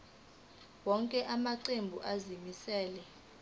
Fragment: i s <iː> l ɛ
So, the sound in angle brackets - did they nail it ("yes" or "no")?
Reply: no